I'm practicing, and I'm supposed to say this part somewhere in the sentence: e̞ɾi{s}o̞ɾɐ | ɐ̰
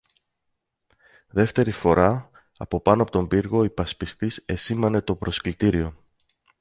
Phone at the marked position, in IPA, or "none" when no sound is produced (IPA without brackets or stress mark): f